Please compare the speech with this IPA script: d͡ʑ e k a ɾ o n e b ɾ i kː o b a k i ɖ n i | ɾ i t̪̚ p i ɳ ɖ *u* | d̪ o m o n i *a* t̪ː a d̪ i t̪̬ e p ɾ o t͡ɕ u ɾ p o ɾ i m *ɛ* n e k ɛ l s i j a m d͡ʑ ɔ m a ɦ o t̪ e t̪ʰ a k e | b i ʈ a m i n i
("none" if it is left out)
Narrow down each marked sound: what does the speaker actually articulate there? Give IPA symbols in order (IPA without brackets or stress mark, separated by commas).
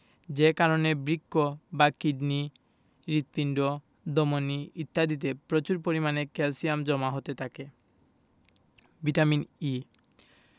o, i, a